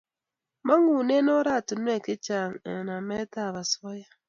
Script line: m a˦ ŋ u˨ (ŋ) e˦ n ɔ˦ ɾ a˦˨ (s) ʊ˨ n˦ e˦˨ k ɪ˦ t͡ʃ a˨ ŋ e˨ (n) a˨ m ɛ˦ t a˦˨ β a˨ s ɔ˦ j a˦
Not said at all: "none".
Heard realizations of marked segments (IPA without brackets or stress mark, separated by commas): n, t, n